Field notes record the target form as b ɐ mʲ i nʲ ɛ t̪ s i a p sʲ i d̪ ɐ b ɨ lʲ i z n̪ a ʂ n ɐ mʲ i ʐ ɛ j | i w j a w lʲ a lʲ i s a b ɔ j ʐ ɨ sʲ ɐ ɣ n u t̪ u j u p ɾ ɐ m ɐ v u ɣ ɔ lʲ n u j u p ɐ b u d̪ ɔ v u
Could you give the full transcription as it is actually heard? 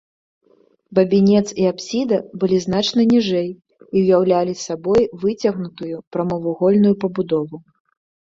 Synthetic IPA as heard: b ɐ bʲ i nʲ ɛ t̪ s i a p sʲ i d̪ ɐ b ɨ lʲ i z n̪ a t͡ʂ n ɐ nʲ i ʐ ɛ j | i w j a w lʲ a lʲ i s a b ɔ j v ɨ t͡sʲ ɐ ɣ n u t̪ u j u p ɾ ɐ m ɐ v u ɣ ɔ lʲ n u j u p ɐ b u d̪ ɔ v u